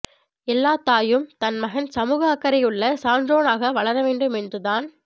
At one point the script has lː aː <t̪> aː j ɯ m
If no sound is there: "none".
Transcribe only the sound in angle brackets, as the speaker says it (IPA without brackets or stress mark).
t̪